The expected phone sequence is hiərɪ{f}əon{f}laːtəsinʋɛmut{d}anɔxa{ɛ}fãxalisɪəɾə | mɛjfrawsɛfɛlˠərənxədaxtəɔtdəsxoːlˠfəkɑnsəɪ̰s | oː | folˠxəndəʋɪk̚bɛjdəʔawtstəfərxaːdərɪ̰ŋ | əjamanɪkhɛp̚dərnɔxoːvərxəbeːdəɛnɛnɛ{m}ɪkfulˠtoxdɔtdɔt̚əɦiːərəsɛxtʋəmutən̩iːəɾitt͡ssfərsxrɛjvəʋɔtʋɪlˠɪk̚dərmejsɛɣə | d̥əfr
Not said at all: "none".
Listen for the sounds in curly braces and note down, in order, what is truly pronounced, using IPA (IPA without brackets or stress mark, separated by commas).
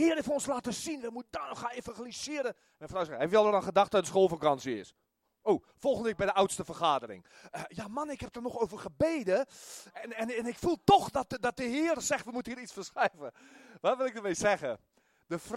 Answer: f, s, d, e, n